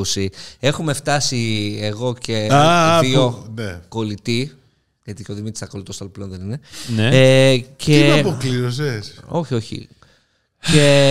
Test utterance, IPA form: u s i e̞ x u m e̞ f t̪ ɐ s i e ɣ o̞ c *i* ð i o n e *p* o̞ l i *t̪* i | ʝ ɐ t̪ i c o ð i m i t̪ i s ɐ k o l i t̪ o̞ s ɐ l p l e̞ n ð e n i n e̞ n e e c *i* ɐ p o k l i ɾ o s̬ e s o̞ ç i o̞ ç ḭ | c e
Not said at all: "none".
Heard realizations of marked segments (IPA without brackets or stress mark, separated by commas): e, k, t̪, e